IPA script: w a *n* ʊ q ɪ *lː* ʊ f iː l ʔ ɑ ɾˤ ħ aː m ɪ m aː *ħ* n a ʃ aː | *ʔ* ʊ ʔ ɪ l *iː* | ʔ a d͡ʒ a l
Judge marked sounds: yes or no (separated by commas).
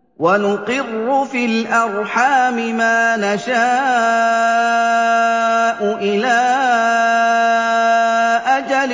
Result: yes, no, no, yes, no